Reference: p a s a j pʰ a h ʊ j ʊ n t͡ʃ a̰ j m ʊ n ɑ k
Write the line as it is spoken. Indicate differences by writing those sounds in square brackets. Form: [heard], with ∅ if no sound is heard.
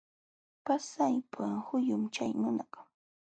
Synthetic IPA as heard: p a s a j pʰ a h ʊ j ʊ [m] t͡ʃ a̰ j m ʊ n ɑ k